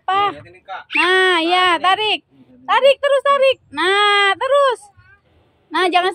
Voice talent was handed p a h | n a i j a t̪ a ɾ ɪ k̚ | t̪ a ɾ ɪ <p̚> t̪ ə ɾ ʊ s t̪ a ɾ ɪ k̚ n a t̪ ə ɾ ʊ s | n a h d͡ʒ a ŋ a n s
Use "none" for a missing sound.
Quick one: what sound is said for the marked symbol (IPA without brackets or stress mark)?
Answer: k̚